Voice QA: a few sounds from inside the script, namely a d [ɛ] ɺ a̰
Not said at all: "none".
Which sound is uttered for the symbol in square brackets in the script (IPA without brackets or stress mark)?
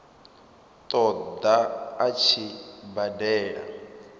ɛː